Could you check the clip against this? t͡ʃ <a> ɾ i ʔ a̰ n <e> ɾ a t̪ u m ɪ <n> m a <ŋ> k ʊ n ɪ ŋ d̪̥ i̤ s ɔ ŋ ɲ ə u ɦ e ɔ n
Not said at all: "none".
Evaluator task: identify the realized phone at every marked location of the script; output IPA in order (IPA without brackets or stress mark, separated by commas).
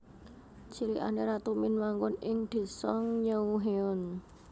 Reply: i, e, n, ŋ